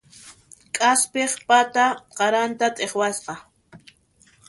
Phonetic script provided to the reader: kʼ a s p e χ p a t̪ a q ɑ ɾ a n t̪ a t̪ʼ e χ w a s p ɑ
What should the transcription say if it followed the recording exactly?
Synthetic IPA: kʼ a s p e χ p a t̪ a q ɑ ɾ a n t̪ a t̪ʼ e χ w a s q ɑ